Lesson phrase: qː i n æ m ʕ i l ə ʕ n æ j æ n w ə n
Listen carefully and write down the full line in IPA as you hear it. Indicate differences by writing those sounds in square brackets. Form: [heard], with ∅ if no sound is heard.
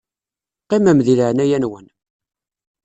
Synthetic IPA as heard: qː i [m] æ m [ð] i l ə ʕ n æ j æ n w ə n